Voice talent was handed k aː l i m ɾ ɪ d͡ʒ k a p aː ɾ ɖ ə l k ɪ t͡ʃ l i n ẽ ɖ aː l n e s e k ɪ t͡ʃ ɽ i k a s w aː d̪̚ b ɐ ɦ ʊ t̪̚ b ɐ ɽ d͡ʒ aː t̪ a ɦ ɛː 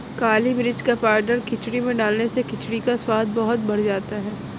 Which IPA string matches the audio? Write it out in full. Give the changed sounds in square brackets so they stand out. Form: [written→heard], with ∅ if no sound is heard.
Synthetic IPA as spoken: k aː l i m ɾ ɪ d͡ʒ k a p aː ɾ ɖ ə [l→ɾ] k ɪ t͡ʃ [l→ɽ] i [n→m] ẽ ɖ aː l n e s e k ɪ t͡ʃ ɽ i k a s w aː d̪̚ b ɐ ɦ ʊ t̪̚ b ɐ ɽ d͡ʒ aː t̪ a ɦ ɛː